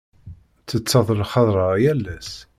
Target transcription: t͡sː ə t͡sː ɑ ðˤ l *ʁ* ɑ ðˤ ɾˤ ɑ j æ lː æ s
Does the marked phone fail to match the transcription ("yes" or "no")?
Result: yes